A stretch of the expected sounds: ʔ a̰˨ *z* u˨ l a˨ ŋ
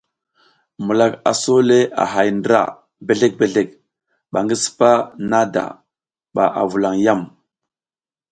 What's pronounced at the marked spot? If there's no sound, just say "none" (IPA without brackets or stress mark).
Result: v